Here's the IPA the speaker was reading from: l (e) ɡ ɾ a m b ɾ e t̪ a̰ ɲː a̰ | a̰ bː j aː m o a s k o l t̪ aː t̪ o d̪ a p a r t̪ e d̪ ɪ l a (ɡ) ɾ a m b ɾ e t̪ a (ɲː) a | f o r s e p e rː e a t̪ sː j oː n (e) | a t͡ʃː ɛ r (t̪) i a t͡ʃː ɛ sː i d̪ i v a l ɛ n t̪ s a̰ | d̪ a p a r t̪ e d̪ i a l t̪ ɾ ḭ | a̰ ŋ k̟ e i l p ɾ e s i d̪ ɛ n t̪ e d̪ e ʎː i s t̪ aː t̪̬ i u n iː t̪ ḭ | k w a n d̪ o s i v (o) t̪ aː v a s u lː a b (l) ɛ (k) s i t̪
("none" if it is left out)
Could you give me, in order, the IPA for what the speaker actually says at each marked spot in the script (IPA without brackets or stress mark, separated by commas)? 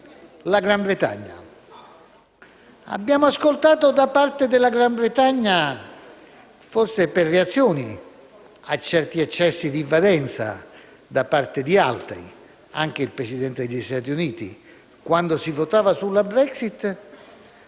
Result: a, ɡ, ɲː, i, t̪, o, ɾ, k